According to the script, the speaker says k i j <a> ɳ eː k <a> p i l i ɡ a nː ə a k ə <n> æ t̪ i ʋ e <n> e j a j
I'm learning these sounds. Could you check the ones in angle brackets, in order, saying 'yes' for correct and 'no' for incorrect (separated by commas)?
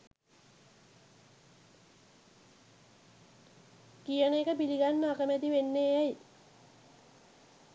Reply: no, no, no, no